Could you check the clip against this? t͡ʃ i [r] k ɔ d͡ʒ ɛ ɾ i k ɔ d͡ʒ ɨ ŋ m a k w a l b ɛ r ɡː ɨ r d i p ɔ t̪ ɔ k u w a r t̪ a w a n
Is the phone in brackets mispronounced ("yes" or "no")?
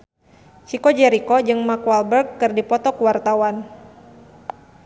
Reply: yes